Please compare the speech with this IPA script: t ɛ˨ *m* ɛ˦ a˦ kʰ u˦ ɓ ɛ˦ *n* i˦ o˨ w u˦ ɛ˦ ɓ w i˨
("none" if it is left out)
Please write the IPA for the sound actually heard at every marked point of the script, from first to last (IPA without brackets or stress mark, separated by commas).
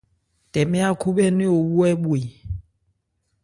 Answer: m, n